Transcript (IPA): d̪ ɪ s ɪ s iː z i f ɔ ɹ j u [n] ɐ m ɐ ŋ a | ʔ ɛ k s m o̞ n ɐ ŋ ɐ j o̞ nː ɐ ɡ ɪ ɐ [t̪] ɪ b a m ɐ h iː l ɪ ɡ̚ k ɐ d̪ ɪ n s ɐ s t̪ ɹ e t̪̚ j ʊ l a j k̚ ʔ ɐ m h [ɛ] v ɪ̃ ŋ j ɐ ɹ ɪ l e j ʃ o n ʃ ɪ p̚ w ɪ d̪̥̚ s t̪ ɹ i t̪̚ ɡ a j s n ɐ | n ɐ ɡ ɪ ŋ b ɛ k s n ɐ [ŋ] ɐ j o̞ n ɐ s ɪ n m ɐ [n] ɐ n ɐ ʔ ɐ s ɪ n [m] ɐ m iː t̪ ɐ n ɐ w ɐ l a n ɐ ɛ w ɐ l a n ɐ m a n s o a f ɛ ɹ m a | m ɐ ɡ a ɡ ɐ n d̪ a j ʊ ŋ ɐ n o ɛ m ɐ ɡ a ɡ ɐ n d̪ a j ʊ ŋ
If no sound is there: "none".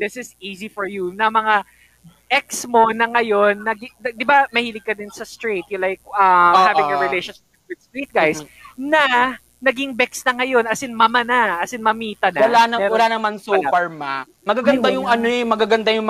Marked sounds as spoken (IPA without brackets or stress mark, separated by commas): n, d̪, a, ŋ, m, m